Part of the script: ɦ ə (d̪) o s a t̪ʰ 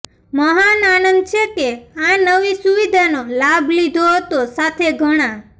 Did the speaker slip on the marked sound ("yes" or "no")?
yes